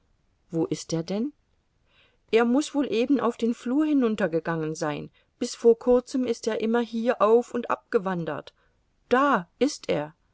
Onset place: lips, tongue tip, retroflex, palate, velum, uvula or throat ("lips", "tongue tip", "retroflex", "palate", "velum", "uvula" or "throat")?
lips